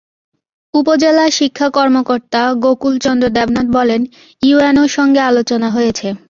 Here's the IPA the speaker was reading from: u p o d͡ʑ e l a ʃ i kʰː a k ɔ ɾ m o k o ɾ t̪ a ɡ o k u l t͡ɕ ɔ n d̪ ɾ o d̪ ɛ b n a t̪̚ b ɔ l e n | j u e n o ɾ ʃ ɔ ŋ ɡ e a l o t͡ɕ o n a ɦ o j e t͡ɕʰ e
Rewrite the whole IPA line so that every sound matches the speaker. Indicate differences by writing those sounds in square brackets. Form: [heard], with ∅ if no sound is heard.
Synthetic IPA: u p o d͡ʑ e l a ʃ i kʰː a k ɔ ɾ m o k o ɾ t̪ a ɡ o k u l t͡ɕ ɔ n d̪ ɾ o d̪ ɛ b n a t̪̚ b ɔ l e n | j u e n o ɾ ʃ ɔ ŋ ɡ e a l o t͡ɕ o n a ɦ o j e t͡ɕʰ e